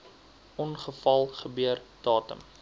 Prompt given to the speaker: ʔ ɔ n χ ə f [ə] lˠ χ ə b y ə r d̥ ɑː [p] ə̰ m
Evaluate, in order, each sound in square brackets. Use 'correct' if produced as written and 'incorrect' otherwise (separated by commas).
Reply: incorrect, incorrect